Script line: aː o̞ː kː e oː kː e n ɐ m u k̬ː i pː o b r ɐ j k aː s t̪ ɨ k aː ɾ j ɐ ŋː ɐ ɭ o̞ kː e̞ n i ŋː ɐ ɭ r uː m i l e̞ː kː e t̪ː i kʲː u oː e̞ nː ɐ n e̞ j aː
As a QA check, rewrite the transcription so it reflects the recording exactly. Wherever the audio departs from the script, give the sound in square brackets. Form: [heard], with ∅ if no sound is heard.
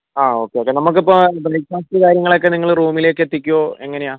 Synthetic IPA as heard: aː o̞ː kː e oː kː e n ɐ m u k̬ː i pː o b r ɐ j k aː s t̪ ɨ k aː ɾ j ɐ ŋː ɐ ɭ o̞ kː e̞ n i ŋː ɐ ɭ r uː m i l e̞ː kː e t̪ː i kʲː u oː e̞ [ŋː] ɐ n e̞ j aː